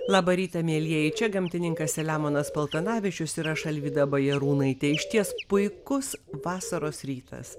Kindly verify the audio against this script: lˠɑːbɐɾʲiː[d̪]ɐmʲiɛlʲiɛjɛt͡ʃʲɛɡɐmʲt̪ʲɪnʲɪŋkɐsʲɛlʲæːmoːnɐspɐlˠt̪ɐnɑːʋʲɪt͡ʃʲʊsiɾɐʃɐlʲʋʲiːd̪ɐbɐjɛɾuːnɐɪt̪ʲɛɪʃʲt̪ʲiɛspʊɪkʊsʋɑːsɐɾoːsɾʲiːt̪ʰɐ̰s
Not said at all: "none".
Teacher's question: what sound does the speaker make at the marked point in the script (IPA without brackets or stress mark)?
t̪